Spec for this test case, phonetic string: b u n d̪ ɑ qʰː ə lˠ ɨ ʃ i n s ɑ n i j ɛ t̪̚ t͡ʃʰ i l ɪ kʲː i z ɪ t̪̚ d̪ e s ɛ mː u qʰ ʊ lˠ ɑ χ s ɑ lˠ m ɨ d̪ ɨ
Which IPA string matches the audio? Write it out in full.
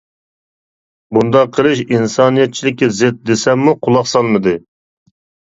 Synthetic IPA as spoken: b u n d̪ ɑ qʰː ə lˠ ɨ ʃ i n s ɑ n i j ɛ t̪̚ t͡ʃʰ i l ɪ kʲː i z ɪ t̪̚ d̪ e s ɛ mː u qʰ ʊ lˠ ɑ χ s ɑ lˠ m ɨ d̪ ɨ